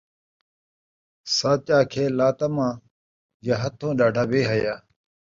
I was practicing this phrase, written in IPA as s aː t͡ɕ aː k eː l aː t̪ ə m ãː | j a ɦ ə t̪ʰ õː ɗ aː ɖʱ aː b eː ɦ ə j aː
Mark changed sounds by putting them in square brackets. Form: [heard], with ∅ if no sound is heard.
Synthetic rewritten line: s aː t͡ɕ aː [kʰ] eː l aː t̪ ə m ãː | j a ɦ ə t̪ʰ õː ɗ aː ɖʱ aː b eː ɦ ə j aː